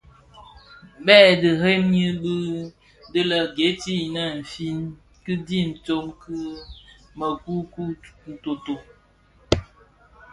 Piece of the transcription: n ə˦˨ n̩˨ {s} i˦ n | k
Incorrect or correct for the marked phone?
incorrect: f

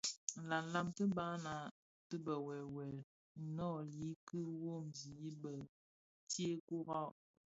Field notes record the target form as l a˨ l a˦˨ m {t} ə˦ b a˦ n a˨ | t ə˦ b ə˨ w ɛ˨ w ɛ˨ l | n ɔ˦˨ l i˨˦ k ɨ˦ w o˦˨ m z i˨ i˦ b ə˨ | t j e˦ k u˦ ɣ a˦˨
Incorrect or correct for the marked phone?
correct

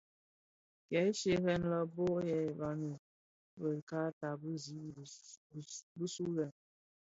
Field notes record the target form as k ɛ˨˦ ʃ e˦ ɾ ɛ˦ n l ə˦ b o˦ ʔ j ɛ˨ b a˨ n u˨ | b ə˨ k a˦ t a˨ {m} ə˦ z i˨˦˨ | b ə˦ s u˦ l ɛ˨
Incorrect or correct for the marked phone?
incorrect: b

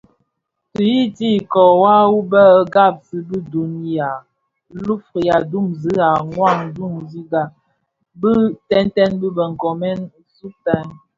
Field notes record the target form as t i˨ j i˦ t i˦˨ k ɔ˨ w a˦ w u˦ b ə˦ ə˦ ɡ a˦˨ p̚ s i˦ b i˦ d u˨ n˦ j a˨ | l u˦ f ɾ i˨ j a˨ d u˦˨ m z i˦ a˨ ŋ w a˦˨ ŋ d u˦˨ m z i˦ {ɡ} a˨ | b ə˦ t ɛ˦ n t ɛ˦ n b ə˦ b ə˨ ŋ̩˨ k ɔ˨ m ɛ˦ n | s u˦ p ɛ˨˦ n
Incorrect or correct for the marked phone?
correct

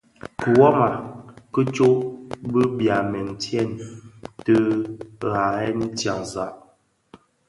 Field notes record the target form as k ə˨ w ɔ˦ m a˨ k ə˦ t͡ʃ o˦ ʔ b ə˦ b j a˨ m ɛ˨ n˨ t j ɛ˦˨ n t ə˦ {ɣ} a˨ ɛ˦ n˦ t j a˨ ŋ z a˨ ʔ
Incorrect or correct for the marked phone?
correct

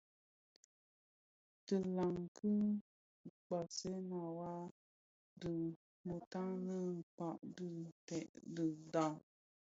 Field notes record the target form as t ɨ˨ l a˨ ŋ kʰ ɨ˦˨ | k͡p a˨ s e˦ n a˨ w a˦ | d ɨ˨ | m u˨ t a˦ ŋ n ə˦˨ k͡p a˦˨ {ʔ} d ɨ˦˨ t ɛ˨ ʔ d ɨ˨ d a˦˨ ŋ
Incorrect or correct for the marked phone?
correct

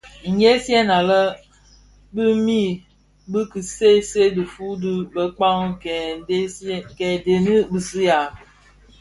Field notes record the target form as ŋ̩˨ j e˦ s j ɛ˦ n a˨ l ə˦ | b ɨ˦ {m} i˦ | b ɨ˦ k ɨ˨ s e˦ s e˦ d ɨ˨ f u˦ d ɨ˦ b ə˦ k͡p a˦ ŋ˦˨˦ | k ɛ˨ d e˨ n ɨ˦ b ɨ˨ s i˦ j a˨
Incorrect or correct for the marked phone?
correct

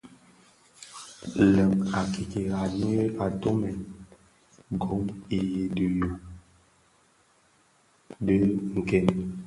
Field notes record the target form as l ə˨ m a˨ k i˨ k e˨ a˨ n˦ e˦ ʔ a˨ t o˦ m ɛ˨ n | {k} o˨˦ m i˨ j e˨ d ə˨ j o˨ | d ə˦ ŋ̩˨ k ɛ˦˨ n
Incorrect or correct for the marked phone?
incorrect: ɡ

